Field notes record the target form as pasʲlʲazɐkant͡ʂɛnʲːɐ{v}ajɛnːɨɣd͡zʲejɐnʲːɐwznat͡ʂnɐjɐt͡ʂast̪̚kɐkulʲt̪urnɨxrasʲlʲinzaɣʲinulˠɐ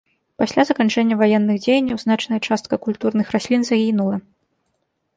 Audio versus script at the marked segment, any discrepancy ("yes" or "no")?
no